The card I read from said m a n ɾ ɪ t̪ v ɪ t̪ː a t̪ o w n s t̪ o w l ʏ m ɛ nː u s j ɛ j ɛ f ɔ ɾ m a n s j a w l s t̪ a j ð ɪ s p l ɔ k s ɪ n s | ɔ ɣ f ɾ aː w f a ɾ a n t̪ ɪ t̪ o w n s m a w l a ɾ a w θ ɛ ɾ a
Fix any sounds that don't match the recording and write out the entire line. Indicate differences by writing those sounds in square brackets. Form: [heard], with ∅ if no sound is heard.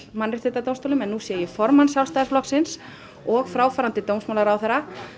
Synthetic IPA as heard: m a n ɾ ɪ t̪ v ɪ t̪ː a t̪ o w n s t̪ o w l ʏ m ɛ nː u s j ɛ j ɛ f ɔ ɾ m a n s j a w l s t̪ a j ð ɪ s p l ɔ k s ɪ n s | ɔ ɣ f ɾ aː w f a ɾ a n t̪ ɪ t̪ o w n s m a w l a ɾ a w θ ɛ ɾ a